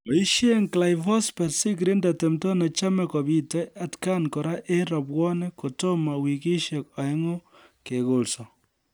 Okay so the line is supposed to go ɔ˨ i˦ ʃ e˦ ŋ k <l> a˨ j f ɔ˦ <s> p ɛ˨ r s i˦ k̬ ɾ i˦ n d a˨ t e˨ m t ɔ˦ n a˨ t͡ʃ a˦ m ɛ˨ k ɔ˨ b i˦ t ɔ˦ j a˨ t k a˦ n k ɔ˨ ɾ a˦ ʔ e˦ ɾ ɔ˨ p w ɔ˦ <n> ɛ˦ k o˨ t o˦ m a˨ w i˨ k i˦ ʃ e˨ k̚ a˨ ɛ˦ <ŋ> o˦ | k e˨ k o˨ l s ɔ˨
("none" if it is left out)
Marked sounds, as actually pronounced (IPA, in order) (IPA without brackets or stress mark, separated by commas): l, s, n, ŋ